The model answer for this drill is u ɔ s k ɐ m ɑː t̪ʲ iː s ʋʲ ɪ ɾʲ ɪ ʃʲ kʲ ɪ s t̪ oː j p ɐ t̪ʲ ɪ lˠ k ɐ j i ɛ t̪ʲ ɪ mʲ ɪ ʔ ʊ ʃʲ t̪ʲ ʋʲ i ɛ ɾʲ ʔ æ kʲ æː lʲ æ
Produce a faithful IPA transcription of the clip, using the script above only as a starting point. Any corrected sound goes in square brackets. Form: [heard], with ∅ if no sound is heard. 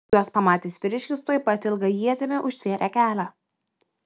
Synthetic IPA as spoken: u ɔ s [p] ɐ m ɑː t̪ʲ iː s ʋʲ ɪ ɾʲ ɪ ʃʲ kʲ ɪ s t̪ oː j p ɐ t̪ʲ ɪ lˠ [ɡ] ɐ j i ɛ t̪ʲ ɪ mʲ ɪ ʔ ʊ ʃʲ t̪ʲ ʋʲ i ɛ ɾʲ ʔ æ kʲ æː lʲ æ